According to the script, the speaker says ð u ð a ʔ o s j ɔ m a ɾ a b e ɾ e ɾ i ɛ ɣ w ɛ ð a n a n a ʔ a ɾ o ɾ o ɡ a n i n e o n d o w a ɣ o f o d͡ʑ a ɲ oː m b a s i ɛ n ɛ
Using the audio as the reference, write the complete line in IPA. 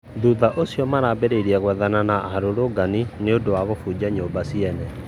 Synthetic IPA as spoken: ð u ð a ʔ o s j ɔ m a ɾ a b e ɾ e ɾ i ɛ ɣ w ɛ ð a n a n a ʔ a ɾ o ɾ o ɡ a n i n e o n d o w a ɣ o f u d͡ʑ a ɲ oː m b a s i ɛ n ɛ